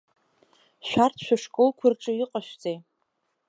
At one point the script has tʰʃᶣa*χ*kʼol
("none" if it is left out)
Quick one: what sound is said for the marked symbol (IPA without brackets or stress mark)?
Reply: ʂ